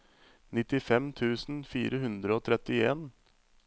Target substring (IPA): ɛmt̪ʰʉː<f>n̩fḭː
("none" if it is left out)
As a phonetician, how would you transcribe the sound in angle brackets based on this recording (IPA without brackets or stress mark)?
s